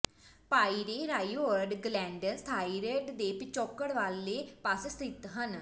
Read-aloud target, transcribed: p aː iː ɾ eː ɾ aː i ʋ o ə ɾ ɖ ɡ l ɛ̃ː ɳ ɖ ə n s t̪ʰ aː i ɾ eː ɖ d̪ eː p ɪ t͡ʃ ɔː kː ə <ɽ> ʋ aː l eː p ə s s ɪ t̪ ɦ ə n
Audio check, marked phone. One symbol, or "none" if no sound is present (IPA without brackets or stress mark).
ɽ